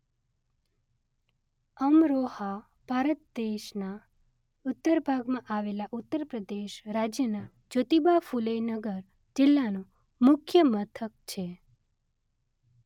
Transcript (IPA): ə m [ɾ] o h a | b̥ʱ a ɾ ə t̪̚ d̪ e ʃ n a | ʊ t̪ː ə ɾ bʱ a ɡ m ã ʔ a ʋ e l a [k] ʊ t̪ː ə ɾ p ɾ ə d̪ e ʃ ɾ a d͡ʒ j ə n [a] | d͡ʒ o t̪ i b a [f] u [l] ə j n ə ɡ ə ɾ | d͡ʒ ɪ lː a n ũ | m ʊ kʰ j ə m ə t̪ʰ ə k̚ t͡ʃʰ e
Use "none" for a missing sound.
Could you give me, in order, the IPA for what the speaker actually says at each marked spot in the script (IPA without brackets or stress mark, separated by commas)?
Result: ɾ, ʔ, a, f, l